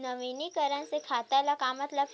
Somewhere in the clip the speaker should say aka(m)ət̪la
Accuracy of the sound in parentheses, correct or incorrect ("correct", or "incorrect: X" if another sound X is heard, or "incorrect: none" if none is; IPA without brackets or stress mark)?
correct